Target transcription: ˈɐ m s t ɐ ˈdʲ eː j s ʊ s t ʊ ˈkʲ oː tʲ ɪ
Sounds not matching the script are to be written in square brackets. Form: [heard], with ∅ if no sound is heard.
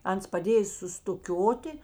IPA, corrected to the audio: ˈɐ [n] s [p] ɐ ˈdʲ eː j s ʊ s t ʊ ˈkʲ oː tʲ ɪ